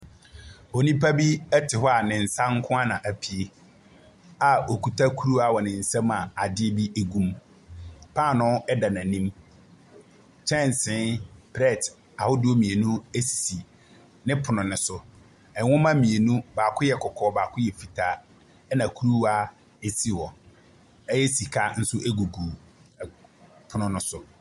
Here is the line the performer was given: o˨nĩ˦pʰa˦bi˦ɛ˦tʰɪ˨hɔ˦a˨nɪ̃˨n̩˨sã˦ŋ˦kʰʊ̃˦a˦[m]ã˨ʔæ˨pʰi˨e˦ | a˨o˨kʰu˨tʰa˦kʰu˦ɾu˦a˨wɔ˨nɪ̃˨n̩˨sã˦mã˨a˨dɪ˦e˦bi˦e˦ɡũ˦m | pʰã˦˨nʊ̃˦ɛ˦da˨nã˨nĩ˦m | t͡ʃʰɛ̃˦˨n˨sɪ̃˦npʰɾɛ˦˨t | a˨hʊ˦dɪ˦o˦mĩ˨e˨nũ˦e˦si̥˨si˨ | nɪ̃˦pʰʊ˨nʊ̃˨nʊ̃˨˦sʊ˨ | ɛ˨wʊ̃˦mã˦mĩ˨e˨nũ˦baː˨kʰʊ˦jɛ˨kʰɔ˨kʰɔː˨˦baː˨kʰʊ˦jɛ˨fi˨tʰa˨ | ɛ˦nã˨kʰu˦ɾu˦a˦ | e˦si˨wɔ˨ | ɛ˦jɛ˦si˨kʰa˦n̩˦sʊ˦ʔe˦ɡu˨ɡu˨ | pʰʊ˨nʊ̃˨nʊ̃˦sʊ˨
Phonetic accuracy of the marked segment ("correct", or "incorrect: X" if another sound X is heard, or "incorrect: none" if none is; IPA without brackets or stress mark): incorrect: n